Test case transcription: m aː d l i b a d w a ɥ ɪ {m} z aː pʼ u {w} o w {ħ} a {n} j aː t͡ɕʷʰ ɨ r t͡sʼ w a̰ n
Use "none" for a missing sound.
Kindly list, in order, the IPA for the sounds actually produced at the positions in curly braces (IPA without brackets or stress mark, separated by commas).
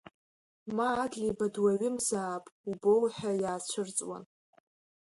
m, b, ħ, none